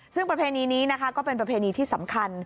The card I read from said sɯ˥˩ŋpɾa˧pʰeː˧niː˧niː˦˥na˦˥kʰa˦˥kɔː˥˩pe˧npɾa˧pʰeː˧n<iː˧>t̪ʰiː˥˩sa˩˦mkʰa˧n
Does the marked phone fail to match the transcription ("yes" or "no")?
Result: no